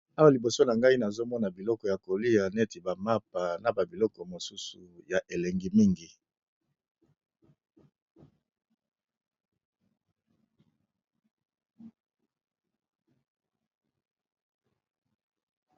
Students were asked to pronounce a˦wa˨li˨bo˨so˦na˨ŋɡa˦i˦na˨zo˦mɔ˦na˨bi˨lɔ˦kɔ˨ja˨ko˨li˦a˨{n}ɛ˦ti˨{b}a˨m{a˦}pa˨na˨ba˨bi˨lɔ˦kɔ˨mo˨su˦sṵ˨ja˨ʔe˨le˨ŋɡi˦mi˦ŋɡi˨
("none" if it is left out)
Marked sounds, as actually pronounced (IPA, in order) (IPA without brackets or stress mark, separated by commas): n, b, a˦